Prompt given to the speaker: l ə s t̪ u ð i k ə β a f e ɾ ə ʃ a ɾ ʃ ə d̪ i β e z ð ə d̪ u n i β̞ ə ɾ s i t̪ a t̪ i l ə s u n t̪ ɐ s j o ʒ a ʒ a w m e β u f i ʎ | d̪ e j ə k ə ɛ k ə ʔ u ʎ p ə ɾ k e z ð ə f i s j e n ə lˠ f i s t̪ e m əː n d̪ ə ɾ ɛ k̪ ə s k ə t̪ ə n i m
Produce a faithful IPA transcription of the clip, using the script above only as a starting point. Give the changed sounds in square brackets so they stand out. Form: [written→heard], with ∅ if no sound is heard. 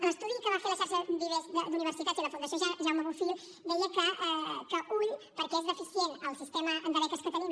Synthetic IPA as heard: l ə s t̪ u ð i k ə β a f e ɾ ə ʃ a ɾ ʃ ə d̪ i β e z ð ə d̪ u n i β̞ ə ɾ s i t̪ a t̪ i l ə [s→f] u n [t̪→d̪] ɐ s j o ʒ a ʒ a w m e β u f i ʎ | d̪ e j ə k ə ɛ k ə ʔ u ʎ p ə ɾ k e z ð ə f i s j e n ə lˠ [f→s] i s t̪ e m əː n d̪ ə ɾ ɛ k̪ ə s k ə t̪ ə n i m